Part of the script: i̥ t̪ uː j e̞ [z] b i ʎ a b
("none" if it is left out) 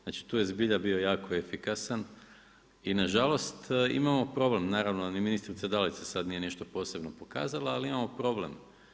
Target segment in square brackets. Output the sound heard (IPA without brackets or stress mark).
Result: z